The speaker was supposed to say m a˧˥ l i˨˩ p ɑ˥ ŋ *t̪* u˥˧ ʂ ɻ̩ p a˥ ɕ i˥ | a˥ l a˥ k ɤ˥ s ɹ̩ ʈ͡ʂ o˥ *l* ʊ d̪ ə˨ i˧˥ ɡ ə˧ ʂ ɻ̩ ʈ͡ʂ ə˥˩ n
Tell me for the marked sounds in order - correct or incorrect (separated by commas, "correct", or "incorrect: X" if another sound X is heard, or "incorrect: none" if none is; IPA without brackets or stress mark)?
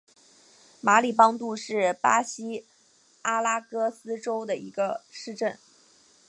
correct, incorrect: none